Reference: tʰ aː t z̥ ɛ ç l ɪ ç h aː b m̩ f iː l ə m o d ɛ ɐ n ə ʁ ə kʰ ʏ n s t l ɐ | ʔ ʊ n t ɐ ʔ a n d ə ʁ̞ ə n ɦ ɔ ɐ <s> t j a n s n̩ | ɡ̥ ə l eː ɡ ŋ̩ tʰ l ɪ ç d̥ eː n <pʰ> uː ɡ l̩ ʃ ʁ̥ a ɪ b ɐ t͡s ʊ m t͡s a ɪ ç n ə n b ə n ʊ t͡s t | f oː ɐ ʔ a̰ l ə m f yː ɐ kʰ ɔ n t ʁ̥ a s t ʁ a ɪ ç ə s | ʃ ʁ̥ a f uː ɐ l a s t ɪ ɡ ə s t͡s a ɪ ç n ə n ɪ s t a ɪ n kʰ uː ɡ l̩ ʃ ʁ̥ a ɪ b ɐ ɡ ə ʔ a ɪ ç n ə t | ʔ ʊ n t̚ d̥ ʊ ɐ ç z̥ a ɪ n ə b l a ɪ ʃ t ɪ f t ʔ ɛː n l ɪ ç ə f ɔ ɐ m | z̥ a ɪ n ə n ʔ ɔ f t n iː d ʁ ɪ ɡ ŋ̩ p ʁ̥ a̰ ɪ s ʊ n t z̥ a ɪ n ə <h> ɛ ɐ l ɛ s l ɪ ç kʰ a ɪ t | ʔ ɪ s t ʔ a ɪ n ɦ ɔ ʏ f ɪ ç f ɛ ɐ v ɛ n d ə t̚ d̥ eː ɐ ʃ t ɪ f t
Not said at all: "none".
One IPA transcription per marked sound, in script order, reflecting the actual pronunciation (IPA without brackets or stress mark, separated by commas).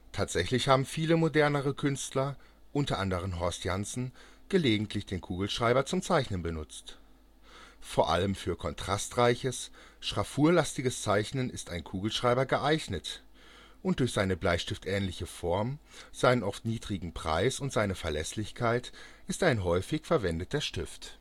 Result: s, kʰ, f